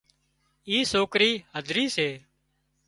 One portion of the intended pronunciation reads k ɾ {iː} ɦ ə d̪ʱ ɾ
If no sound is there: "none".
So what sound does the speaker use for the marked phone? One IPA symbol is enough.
iː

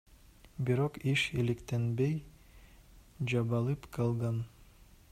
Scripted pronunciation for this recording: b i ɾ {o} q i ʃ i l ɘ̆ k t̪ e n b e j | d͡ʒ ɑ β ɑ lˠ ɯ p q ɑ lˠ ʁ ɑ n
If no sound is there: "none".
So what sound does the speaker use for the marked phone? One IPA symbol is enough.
o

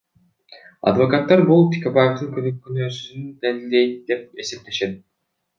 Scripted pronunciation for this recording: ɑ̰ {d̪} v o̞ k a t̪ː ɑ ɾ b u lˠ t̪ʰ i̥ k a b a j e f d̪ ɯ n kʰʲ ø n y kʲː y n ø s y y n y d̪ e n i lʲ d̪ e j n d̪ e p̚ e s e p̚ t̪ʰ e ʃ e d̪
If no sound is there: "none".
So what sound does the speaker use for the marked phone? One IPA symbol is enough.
d̪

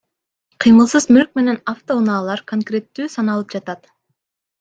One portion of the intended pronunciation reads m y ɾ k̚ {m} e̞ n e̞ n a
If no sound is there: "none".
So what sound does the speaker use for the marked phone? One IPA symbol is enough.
m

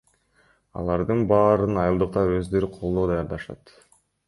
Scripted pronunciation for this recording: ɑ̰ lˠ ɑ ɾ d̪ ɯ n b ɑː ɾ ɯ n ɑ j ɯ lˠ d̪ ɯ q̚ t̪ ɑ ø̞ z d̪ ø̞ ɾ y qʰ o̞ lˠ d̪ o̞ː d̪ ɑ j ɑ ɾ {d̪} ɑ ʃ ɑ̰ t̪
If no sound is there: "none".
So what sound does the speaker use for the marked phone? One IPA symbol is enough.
d̪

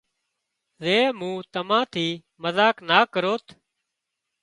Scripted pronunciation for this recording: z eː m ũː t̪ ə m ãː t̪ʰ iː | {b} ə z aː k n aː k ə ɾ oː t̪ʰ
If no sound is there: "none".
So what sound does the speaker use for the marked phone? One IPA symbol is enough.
m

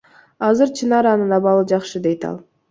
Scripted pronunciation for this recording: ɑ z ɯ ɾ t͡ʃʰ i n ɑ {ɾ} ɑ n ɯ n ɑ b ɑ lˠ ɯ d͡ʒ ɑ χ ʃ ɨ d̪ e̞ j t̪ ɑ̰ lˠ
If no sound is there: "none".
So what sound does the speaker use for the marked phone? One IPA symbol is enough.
ɾ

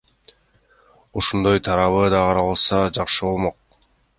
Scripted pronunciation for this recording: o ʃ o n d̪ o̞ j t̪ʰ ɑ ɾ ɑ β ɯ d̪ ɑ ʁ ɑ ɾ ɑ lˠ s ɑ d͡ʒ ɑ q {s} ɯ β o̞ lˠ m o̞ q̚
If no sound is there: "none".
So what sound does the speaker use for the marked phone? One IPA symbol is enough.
ʃ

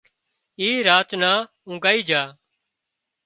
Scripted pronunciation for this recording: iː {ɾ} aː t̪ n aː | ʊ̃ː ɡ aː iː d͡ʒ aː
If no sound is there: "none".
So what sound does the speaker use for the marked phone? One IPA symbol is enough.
ɾ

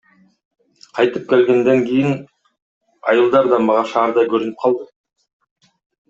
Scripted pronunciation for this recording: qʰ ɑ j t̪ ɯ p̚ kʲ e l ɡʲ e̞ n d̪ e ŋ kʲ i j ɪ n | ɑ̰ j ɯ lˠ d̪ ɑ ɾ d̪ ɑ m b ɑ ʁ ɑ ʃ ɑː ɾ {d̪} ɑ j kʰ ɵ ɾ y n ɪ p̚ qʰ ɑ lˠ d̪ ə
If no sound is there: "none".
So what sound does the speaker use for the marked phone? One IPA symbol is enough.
d̪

